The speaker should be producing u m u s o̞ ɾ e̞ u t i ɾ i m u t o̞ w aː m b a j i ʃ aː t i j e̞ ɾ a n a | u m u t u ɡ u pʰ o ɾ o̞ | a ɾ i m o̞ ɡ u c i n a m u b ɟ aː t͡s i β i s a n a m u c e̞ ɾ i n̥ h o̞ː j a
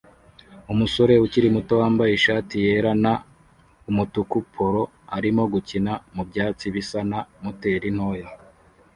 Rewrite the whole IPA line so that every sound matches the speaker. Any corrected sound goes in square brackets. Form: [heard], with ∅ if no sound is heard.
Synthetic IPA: u m u s o̞ ɾ e̞ u [c] i ɾ i m u t o̞ w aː m b a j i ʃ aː t i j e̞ ɾ a n a | u m u t u [k] u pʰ o ɾ o̞ | a ɾ i m o̞ ɡ u c i n a m u b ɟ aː t͡s i β i s a n a m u [t] e̞ ɾ i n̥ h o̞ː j a